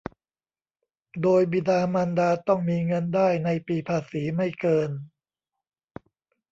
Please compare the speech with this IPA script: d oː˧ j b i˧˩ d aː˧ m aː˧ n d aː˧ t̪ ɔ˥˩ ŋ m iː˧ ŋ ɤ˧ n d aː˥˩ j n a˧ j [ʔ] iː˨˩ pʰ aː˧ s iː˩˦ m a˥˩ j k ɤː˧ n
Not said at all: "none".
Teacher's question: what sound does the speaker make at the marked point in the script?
p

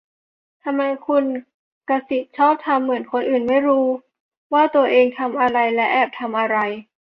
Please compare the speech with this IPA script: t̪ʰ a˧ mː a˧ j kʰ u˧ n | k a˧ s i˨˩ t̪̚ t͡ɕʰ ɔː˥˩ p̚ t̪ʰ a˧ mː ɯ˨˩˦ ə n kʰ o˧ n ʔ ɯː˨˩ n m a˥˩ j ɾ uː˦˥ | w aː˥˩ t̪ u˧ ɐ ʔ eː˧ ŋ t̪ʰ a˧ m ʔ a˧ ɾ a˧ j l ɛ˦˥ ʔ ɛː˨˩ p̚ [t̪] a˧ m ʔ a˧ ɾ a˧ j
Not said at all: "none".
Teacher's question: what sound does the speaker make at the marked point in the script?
t̪ʰ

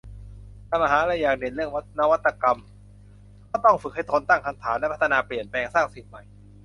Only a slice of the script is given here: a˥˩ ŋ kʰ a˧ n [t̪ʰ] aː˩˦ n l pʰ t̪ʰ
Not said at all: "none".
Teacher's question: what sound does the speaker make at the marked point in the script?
t̪ʰ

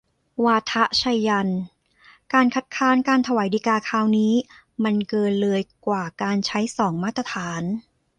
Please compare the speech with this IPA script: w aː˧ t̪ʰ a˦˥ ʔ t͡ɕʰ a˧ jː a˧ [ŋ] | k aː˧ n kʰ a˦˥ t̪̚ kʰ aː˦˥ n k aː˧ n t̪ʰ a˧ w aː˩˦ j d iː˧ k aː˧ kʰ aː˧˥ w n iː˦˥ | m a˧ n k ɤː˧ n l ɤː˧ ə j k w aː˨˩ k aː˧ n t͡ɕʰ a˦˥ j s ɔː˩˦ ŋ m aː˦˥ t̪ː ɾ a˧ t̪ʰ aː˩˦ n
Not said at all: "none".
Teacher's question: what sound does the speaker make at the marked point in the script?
n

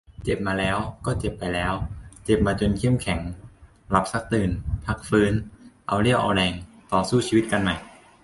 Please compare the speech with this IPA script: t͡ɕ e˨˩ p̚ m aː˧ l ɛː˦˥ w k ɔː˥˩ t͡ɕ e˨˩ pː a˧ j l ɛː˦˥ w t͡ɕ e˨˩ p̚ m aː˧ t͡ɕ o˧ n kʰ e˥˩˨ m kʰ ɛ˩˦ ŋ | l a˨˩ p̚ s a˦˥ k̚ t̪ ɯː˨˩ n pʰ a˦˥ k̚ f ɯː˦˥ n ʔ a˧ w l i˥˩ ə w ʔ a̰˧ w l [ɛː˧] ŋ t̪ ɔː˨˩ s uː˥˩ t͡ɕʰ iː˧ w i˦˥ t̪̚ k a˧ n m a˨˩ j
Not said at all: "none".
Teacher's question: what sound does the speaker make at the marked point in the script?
ɛː˧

